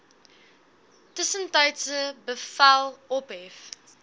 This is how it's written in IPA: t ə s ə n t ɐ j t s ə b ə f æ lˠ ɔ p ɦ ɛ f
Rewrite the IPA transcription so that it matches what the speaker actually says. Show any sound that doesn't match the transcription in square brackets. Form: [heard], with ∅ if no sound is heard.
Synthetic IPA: t ə s ə n t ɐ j t s ə b ə f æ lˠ ɔ p ɦ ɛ f